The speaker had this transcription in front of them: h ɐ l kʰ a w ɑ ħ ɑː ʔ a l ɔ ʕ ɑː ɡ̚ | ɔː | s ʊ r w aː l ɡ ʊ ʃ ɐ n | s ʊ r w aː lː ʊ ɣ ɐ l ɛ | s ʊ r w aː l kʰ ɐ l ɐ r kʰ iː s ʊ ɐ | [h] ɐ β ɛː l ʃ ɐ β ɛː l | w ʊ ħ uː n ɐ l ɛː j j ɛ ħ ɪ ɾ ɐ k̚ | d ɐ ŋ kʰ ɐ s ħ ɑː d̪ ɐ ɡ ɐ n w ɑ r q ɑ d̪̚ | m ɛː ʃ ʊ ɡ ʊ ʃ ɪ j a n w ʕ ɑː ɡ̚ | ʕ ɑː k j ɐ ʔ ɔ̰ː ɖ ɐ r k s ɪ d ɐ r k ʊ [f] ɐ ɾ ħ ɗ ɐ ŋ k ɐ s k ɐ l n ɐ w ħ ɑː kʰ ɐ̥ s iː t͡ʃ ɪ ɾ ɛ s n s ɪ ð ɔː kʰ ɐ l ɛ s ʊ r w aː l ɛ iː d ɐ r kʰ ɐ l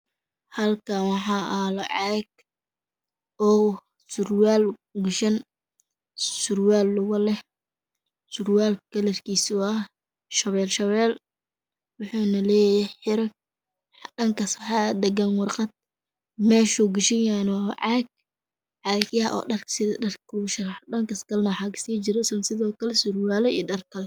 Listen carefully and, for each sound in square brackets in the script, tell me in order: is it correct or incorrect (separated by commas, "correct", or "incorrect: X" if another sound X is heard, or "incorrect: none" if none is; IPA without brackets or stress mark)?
incorrect: ʃ, incorrect: ʃ